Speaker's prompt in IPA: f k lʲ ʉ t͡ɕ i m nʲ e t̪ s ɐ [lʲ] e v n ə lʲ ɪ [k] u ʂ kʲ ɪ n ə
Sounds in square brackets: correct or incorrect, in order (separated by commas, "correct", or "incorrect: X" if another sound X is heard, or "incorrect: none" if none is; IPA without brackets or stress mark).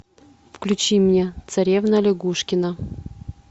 incorrect: ɾʲ, incorrect: ɡ